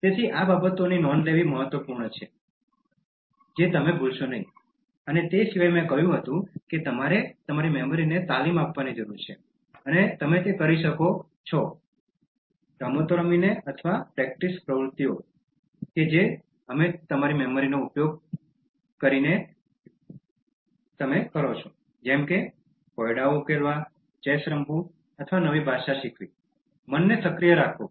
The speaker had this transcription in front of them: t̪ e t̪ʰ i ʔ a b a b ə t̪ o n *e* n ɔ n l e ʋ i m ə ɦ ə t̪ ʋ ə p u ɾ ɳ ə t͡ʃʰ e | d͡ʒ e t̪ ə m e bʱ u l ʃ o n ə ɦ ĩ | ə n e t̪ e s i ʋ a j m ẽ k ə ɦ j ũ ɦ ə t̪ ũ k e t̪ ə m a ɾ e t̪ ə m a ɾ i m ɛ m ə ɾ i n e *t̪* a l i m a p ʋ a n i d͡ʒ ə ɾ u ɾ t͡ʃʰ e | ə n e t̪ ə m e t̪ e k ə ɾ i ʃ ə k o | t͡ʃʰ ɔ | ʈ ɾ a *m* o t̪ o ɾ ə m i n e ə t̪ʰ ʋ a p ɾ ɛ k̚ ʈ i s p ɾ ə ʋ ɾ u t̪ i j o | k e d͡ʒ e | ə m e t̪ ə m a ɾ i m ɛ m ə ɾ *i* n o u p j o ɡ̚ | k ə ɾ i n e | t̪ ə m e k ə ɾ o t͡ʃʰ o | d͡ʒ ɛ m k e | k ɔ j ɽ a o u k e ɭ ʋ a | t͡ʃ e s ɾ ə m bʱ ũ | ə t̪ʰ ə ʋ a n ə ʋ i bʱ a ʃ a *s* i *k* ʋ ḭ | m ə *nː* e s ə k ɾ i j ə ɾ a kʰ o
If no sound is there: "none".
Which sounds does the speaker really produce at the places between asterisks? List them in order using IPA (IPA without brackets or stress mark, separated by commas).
i, t̪, m, i, ʃ, kʰ, nː